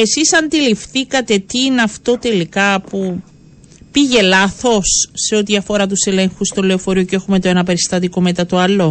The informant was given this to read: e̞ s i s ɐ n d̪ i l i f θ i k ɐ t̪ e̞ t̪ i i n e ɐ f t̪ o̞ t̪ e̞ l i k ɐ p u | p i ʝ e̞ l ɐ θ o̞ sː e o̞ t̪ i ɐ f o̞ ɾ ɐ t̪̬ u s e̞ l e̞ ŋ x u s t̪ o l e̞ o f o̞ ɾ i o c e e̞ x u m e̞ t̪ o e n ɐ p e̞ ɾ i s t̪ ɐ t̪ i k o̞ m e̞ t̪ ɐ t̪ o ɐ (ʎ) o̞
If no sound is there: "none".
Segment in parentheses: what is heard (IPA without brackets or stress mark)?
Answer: l